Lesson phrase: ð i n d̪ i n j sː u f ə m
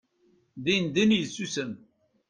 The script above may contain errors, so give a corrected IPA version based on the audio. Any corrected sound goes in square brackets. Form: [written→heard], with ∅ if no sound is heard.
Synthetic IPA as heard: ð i n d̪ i n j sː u [f→s] ə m